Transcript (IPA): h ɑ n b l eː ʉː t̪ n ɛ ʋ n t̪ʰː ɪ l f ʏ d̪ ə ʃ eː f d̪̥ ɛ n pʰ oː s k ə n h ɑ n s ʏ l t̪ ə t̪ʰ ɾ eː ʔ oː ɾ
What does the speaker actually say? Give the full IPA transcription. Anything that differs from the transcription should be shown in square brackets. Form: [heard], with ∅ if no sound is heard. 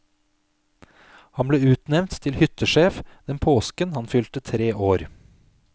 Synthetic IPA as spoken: h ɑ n b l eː ʉː t̪ n ɛ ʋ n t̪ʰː ɪ l [h] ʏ [t̪] ə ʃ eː f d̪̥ ɛ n pʰ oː s k ə n h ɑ n [f] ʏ l t̪ ə t̪ʰ ɾ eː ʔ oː ɾ